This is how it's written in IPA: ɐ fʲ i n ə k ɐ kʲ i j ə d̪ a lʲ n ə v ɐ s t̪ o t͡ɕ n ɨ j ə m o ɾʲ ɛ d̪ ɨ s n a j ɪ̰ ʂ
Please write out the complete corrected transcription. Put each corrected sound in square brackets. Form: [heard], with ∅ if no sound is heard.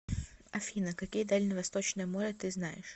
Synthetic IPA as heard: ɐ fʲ i n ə k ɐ kʲ i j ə d̪ a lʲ n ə v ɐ s t̪ o t͡ɕ n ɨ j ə m o ɾʲ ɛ [t̪] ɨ [z] n a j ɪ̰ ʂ